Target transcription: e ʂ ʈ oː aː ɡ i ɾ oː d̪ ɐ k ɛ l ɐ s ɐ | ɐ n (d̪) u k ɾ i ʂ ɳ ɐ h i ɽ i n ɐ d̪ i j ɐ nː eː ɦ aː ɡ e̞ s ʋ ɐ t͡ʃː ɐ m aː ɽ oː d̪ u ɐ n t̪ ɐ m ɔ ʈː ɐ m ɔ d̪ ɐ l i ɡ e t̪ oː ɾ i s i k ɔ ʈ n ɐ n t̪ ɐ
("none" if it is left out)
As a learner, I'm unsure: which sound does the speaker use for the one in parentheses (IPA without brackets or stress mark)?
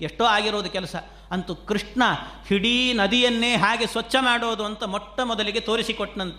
t̪